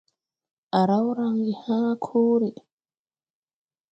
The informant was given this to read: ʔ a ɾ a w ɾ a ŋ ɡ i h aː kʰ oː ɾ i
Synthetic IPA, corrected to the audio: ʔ a ɾ a w ɾ a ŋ ɡ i h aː kʰ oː ɾ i